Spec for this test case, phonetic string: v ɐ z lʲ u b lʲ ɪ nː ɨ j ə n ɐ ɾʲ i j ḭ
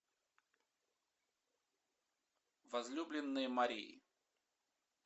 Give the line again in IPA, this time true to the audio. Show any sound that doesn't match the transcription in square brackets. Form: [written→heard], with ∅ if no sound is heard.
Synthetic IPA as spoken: v ɐ z lʲ u b lʲ ɪ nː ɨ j ə [n→m] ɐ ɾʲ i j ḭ